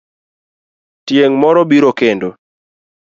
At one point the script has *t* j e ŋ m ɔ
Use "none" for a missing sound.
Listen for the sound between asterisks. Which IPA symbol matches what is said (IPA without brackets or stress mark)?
t